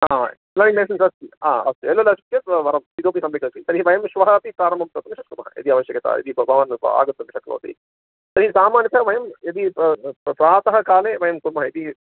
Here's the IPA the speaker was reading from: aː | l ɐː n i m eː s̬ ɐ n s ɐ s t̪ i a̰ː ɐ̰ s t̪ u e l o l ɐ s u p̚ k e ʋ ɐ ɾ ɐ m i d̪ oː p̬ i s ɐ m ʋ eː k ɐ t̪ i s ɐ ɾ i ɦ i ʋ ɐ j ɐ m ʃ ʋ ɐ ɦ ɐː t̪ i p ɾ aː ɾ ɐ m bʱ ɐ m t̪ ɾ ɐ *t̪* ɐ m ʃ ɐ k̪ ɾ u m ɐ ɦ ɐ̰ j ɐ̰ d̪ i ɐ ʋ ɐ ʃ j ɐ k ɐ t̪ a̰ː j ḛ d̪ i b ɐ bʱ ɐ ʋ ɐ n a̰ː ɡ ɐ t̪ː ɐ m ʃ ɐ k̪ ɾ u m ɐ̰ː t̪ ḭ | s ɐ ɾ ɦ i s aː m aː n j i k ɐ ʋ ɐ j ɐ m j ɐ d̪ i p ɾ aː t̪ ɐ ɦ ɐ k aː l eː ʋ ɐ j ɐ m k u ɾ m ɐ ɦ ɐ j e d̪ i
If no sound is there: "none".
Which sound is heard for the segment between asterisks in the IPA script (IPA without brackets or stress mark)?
t̪